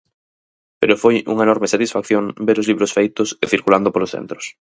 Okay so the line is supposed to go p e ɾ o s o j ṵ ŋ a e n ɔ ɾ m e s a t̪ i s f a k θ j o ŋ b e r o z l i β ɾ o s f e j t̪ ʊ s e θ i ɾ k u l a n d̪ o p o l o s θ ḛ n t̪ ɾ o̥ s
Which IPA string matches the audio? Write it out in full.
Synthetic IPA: p e ɾ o f o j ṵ ŋ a e n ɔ ɾ m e s a t̪ i s f a k θ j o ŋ b e ɾ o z l i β ɾ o s f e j t̪ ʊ s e θ i ɾ k u l a n d̪ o p o l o s θ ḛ n t̪ ɾ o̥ s